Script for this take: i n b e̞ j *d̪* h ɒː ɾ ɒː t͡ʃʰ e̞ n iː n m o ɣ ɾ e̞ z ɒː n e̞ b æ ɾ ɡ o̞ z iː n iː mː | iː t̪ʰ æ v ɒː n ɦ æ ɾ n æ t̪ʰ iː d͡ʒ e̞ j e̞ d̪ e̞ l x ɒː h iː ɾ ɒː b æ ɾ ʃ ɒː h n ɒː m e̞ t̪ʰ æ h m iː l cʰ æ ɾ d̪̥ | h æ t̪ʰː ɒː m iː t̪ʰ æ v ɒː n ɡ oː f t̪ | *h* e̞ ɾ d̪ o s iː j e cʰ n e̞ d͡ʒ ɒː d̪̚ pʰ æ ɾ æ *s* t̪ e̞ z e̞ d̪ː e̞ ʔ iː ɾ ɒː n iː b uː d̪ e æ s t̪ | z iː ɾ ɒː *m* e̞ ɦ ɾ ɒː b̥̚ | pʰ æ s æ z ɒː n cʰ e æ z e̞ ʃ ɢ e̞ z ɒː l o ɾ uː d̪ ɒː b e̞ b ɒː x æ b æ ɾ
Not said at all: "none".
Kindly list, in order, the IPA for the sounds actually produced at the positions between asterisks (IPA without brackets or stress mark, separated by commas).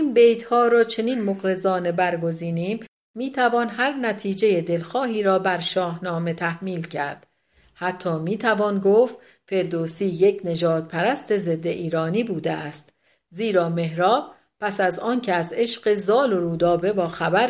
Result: t̪, f, s, m